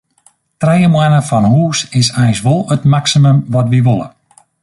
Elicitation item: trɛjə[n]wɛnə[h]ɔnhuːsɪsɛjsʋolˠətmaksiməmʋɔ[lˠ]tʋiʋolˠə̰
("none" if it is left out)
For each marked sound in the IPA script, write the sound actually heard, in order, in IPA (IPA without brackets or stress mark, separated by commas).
m, f, none